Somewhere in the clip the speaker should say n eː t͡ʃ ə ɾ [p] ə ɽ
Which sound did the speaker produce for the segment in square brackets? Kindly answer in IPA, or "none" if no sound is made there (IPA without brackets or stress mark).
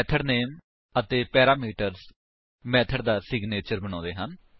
b